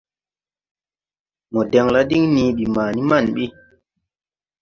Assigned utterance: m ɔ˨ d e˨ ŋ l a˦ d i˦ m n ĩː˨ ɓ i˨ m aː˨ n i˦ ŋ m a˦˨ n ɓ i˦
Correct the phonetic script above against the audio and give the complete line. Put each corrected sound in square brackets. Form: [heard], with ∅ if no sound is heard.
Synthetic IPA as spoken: m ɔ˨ d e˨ ŋ l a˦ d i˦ [ŋ] n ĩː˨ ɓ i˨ m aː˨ n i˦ [∅] m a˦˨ n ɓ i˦